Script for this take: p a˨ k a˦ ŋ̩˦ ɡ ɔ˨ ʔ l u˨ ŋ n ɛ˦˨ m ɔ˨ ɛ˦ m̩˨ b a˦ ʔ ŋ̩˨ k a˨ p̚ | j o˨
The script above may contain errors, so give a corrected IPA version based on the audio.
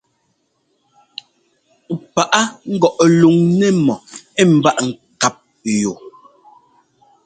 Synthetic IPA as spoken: p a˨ ʔ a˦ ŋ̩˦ ɡ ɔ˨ ʔ l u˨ ŋ n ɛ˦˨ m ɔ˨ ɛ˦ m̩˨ b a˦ ʔ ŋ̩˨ k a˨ p̚ | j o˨